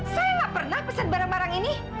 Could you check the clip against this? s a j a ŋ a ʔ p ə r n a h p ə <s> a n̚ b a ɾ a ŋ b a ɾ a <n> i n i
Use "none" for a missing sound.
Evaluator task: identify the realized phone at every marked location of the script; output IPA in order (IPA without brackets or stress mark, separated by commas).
s, ŋ